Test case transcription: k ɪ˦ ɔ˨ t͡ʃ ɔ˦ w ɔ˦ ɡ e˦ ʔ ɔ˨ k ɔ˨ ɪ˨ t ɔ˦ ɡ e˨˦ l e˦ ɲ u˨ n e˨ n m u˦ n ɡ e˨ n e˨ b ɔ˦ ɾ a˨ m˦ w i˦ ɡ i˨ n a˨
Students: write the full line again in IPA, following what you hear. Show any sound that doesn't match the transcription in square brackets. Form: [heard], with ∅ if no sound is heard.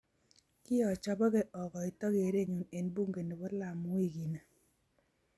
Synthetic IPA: k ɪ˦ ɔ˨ t͡ʃ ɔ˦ [b] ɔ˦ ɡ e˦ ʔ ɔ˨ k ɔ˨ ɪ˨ t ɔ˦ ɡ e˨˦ [ɾ] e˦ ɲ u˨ n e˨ n [b] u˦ [ŋ] ɡ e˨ n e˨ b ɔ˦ [l] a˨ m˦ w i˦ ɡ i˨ n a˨